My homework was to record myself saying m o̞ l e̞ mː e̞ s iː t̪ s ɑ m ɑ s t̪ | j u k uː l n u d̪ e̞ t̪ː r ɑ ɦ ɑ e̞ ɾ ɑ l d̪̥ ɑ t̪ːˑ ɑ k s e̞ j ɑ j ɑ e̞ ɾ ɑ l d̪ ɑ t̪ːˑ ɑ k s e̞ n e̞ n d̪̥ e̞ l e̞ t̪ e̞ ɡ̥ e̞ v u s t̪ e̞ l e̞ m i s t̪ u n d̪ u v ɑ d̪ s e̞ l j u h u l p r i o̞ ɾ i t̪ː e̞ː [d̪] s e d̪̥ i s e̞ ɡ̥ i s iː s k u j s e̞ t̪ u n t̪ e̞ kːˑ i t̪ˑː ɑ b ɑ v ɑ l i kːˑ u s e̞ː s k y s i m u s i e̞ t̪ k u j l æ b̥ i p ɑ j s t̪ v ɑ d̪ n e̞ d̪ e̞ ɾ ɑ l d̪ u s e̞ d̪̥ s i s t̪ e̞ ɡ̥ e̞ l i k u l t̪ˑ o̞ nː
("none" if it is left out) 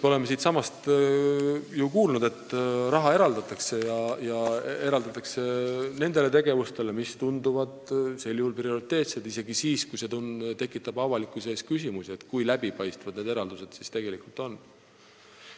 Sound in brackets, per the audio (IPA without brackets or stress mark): t̪